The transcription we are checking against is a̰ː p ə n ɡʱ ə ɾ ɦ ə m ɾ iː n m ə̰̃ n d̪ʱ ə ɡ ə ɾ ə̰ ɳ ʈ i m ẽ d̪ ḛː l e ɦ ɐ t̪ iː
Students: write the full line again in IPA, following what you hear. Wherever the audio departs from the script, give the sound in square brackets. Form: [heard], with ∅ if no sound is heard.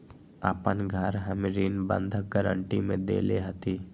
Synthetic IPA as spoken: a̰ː p ə n ɡʱ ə ɾ ɦ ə m ɾ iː n [b] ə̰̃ n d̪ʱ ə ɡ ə ɾ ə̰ ɳ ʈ i m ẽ d̪ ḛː l e ɦ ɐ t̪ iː